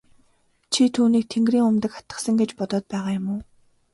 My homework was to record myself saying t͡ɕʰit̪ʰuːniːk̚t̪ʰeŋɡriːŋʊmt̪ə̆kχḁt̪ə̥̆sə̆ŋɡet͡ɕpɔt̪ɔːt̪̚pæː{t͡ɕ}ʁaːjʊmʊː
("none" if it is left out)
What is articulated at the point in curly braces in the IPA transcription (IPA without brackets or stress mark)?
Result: none